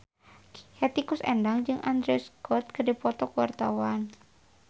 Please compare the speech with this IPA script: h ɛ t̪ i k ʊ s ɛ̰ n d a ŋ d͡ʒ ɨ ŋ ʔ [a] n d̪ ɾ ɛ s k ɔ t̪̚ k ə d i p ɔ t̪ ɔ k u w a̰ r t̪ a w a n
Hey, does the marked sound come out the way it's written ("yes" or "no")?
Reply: yes